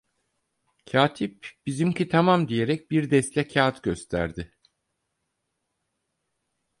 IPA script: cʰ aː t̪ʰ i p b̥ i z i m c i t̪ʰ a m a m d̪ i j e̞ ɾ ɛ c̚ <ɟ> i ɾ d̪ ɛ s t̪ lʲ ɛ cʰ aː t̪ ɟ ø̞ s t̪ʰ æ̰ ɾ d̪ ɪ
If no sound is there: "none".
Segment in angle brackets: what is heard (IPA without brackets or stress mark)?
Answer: b